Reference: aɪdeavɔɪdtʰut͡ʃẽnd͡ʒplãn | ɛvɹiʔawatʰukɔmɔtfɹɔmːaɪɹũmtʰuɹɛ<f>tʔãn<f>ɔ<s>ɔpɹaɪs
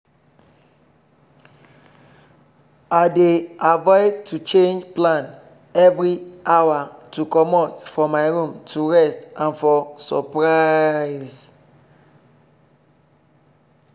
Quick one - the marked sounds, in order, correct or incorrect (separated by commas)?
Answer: incorrect, correct, correct